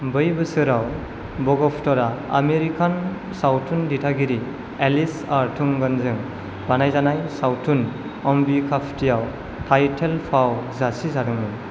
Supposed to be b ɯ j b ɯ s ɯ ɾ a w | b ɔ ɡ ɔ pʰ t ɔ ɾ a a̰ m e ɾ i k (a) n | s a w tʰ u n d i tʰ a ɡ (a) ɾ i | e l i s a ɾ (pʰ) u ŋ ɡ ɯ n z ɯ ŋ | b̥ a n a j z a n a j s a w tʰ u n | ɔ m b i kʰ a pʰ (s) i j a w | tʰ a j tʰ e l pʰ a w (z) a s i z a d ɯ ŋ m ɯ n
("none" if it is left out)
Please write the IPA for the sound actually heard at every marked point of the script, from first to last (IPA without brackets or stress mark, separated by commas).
a, i, tʰ, t, z